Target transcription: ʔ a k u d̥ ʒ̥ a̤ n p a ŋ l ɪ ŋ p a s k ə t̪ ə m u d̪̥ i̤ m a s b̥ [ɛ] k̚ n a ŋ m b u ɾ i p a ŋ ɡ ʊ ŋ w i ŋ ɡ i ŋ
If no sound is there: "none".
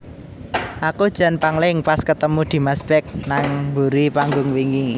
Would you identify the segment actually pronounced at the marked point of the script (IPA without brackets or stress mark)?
ɛ